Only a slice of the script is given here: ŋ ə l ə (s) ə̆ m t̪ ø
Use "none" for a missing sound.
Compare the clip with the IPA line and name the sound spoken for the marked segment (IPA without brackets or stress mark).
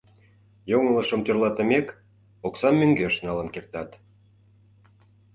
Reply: ʃ